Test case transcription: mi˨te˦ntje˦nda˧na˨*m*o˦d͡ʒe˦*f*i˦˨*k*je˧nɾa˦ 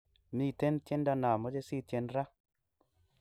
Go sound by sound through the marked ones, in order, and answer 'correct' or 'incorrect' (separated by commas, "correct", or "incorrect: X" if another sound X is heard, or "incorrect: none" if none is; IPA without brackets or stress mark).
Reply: correct, incorrect: s, incorrect: t